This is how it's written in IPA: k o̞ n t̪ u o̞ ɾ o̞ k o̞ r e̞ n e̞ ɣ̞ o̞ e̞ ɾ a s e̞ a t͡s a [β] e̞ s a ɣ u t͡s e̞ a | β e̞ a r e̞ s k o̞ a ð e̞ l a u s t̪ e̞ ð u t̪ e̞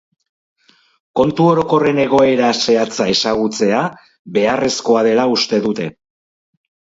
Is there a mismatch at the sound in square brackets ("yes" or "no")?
yes